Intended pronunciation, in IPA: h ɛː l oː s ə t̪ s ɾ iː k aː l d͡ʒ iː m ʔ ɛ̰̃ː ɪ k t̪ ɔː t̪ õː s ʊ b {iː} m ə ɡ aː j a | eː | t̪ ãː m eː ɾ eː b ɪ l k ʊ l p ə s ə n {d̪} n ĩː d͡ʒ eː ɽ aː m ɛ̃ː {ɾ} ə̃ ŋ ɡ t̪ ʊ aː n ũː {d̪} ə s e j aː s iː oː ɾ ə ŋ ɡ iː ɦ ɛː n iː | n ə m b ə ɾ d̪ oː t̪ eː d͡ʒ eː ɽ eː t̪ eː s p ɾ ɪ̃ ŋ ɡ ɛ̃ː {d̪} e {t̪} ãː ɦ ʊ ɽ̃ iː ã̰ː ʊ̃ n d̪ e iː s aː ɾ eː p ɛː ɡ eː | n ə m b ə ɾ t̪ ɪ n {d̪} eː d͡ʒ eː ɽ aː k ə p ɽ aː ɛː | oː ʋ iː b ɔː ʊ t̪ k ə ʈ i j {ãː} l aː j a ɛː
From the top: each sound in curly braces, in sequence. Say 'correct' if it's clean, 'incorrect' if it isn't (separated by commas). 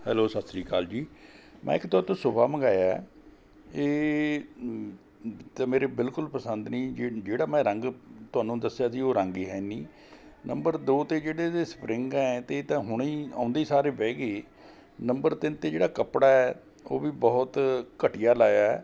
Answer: incorrect, correct, correct, correct, incorrect, correct, incorrect, incorrect